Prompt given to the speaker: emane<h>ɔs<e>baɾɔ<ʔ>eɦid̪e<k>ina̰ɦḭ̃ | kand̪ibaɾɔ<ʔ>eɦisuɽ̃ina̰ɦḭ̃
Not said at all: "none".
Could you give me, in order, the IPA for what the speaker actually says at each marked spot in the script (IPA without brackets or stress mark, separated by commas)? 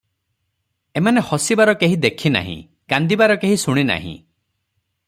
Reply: h, i, k, kʰ, k